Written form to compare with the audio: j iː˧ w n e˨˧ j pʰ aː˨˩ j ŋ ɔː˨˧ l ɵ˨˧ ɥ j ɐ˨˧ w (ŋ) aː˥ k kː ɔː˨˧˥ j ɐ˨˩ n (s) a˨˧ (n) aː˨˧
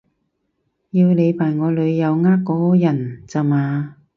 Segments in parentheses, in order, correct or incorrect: correct, incorrect: t͡s, incorrect: m

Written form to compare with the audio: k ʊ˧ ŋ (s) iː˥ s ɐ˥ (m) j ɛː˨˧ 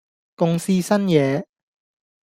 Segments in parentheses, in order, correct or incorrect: correct, incorrect: n

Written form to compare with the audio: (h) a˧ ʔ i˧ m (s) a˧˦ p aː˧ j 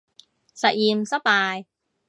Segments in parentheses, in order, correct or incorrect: incorrect: s, correct

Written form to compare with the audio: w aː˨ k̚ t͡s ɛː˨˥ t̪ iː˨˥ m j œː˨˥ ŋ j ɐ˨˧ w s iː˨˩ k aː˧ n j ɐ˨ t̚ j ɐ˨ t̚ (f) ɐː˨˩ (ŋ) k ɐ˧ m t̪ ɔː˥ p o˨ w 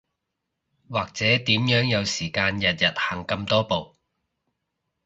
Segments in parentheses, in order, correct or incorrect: incorrect: h, correct

